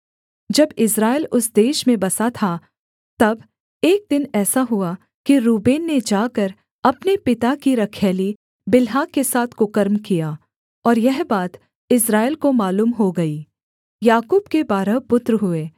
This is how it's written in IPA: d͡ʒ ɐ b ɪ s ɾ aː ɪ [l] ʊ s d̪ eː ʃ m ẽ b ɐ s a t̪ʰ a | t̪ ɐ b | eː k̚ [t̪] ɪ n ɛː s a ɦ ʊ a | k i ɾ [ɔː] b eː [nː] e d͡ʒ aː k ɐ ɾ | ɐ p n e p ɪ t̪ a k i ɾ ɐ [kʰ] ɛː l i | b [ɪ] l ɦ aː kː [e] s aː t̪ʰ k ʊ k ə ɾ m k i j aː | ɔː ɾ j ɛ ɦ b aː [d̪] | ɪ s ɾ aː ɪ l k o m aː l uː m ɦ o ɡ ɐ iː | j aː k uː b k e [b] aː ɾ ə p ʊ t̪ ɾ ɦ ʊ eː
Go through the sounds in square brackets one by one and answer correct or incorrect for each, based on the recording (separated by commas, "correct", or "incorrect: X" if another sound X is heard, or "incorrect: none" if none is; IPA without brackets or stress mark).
correct, incorrect: d̪, incorrect: uː, correct, correct, correct, correct, incorrect: t̪, correct